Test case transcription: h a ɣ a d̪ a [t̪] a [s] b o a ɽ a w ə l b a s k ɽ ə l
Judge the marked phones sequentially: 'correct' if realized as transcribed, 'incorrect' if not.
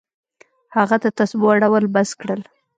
correct, correct

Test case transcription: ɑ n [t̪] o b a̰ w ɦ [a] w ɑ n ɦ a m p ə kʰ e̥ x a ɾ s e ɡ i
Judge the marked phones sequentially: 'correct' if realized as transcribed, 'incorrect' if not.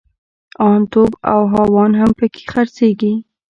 correct, incorrect

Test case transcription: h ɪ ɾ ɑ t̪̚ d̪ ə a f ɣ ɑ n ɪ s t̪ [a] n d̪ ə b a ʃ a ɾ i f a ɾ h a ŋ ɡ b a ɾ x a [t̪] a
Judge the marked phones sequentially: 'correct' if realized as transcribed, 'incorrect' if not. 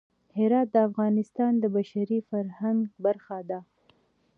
incorrect, incorrect

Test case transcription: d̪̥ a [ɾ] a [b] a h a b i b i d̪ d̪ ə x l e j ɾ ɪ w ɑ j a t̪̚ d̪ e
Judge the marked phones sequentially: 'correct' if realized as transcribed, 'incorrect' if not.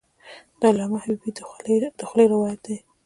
incorrect, incorrect

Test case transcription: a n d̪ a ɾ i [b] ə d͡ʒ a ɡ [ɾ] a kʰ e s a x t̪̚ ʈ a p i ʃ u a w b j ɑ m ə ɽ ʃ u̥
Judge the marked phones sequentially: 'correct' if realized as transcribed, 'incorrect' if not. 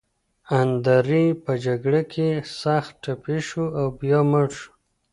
incorrect, incorrect

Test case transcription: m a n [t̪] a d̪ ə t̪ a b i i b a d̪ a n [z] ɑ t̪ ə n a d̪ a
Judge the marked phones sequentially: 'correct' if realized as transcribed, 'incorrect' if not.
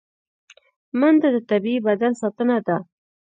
incorrect, incorrect

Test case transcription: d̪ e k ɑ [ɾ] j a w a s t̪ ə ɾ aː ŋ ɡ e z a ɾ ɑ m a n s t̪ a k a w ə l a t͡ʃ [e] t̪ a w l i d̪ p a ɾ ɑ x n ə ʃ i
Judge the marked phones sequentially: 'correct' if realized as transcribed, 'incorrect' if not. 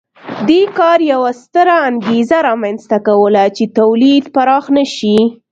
correct, correct

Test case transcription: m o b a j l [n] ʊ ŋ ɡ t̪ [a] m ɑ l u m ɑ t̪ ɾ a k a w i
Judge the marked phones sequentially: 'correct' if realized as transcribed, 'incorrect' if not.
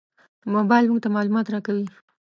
incorrect, correct

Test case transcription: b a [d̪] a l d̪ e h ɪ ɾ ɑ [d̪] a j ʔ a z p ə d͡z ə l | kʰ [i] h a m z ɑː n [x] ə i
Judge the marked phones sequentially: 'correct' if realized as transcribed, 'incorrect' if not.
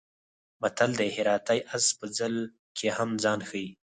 incorrect, incorrect, incorrect, correct

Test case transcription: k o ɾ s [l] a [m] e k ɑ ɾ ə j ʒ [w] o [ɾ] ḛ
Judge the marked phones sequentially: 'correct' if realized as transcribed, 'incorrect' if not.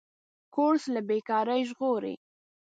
correct, incorrect, incorrect, correct

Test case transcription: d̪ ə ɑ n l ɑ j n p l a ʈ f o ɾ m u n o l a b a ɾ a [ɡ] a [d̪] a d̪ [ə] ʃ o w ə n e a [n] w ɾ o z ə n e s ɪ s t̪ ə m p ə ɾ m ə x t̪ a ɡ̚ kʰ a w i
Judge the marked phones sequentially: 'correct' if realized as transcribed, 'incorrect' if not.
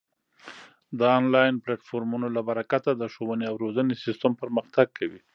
incorrect, incorrect, correct, incorrect

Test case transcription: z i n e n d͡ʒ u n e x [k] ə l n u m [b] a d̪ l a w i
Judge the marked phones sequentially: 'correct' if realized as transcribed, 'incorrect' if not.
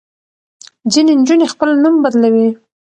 incorrect, correct

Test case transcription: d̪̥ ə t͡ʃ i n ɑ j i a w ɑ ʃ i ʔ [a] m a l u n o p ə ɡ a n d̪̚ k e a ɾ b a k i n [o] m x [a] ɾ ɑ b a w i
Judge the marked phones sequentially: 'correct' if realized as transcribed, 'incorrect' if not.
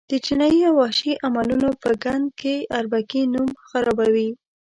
correct, incorrect, correct

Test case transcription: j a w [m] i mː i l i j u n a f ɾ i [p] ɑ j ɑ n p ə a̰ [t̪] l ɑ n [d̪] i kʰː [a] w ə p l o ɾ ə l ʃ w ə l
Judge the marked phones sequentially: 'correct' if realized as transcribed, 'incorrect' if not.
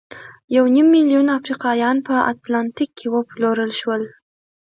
incorrect, incorrect, correct, incorrect, incorrect

